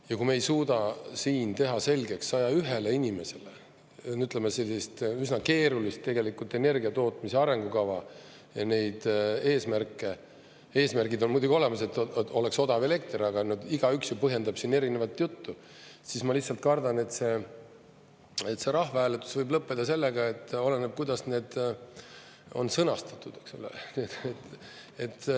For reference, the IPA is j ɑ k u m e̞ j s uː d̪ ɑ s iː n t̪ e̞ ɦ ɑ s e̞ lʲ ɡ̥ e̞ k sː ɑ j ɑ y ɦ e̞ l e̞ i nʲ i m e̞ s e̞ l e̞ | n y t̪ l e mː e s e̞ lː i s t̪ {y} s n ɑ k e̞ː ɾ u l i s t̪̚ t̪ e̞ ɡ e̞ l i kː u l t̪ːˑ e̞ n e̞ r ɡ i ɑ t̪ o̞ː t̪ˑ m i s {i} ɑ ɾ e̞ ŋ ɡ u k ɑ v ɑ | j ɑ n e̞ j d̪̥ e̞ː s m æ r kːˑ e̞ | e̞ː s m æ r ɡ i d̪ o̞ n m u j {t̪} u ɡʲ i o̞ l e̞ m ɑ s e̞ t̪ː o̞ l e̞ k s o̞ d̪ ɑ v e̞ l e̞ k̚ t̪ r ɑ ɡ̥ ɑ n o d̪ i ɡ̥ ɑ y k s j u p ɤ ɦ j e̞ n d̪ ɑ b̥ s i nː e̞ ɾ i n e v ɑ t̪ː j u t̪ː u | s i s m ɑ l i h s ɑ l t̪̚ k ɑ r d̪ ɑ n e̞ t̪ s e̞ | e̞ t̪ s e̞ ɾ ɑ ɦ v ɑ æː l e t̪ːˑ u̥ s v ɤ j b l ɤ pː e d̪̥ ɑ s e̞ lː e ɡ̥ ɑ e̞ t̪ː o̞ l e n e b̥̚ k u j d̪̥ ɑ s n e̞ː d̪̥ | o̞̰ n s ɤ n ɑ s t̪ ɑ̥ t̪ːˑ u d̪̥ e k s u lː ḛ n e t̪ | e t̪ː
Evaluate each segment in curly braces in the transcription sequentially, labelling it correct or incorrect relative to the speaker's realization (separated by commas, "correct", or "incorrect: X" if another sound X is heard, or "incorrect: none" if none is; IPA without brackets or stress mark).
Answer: correct, incorrect: e, incorrect: d̪